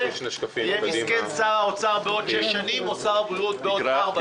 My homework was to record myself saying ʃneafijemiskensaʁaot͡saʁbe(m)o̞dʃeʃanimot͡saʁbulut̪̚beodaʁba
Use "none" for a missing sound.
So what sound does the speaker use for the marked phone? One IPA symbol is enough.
none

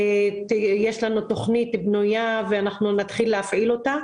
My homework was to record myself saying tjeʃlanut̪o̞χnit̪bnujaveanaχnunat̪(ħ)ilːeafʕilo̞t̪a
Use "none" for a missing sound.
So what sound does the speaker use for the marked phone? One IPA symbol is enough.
χ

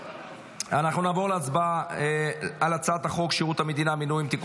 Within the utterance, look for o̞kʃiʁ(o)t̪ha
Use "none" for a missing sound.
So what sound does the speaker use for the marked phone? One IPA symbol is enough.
u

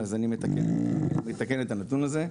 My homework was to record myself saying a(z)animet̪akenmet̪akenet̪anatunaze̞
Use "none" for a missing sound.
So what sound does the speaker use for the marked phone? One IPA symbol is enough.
z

